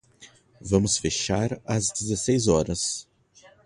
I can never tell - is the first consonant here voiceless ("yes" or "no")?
no